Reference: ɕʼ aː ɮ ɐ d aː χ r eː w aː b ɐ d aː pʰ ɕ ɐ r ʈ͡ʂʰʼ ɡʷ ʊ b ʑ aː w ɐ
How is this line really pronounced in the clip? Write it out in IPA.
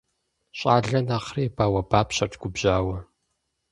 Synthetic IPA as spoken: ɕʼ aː ɮ ɐ n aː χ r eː b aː w ɐ b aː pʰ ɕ ɐ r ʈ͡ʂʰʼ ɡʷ ʊ b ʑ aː w ɐ